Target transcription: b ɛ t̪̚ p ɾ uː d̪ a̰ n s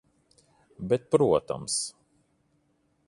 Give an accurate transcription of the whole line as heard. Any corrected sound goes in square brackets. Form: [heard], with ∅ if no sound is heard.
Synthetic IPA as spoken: b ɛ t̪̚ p ɾ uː [t̪] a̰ [m] s